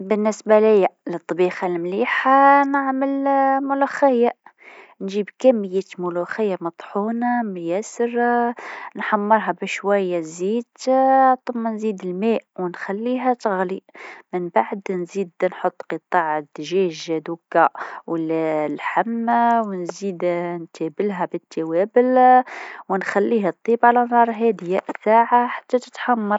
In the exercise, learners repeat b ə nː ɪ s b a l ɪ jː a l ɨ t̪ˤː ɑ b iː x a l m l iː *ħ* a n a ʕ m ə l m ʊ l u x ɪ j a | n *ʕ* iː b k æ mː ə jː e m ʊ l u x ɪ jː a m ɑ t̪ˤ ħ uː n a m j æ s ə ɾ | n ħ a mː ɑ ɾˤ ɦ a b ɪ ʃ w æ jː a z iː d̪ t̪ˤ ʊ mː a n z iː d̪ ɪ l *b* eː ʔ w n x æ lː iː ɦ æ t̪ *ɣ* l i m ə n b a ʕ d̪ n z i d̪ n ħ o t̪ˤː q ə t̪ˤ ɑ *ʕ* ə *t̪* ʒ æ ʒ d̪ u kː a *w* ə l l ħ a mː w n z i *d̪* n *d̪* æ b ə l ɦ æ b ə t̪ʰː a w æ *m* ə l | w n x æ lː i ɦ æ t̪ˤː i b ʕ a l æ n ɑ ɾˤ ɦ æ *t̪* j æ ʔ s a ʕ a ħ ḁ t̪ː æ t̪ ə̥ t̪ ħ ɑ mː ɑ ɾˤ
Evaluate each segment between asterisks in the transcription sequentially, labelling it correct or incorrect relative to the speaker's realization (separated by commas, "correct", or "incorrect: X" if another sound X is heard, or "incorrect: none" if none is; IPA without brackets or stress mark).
correct, incorrect: ʒ, incorrect: m, correct, correct, incorrect: d̪, correct, correct, incorrect: t̪, incorrect: b, incorrect: d̪